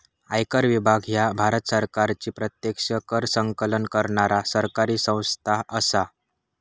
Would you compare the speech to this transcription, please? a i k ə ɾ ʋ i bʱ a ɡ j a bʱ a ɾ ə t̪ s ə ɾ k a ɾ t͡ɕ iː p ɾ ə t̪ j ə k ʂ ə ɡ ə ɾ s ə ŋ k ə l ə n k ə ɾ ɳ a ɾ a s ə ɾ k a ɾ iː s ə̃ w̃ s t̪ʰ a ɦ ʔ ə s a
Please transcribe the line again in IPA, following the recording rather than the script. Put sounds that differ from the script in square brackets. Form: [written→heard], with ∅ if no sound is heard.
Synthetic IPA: a [i→j] k ə ɾ ʋ i bʱ a ɡ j a bʱ a ɾ ə t̪ s ə ɾ k a ɾ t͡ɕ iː p ɾ ə t̪ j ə k ʂ ə [ɡ→k] ə ɾ s ə ŋ k ə l ə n k ə ɾ ɳ a ɾ a s ə ɾ k a ɾ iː s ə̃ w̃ s t̪ʰ a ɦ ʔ ə s a